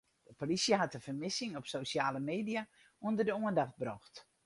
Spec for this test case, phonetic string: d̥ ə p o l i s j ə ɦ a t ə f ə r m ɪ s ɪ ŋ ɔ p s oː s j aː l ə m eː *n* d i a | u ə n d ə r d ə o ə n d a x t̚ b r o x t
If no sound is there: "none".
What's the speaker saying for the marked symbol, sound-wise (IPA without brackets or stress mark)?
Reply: none